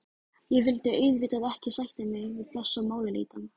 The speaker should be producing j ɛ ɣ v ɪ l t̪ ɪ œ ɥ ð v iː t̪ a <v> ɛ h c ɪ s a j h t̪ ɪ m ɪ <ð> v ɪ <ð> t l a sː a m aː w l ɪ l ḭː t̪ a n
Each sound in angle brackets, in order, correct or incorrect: incorrect, incorrect, correct

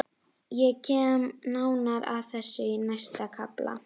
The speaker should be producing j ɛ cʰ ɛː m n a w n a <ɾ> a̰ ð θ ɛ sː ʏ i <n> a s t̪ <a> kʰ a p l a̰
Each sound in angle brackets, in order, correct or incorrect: correct, correct, correct

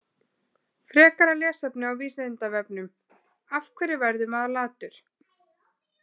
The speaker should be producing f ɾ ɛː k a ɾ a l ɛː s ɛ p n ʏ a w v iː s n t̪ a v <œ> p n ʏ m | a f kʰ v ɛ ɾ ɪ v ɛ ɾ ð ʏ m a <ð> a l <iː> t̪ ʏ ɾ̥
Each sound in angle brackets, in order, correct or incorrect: incorrect, correct, incorrect

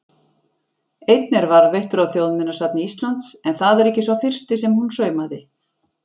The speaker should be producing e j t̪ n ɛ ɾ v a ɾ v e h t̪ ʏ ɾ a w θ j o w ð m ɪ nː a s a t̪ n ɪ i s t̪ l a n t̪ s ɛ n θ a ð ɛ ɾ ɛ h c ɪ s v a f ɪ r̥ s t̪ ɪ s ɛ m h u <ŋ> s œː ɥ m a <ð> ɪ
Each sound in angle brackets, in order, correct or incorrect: incorrect, correct

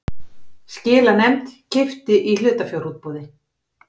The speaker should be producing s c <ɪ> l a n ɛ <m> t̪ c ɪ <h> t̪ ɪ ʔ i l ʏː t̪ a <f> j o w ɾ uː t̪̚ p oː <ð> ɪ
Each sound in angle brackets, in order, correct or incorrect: incorrect, correct, incorrect, correct, correct

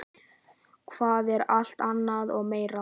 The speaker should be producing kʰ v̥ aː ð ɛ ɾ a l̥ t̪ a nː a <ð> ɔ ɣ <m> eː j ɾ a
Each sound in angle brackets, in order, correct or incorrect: correct, correct

